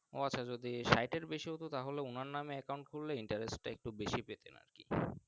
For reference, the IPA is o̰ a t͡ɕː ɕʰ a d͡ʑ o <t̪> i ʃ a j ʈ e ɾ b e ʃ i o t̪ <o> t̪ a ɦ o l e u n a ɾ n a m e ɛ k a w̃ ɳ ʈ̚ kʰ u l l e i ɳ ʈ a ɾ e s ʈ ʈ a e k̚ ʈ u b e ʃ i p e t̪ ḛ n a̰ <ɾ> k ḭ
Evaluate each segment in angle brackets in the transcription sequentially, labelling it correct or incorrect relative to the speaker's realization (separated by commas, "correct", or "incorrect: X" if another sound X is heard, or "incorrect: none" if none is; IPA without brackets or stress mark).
incorrect: d̪, correct, correct